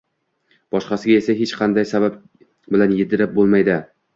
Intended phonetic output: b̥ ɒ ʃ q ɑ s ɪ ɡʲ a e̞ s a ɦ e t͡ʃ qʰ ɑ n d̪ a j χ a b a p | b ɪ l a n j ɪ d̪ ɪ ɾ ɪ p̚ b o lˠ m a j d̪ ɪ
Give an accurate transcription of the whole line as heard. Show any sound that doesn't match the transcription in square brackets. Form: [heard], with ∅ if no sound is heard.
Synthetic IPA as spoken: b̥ ɒ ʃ q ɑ s ɪ ɡʲ a e̞ s a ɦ e t͡ʃ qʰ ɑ n d̪ a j [s] a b a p | b ɪ l a n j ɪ d̪ ɪ ɾ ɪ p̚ b o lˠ m a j d̪ ɪ